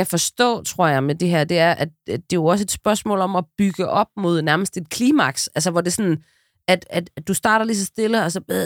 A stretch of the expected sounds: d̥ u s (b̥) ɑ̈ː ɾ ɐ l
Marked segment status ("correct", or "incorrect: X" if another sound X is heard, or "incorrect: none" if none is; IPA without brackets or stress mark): incorrect: d̥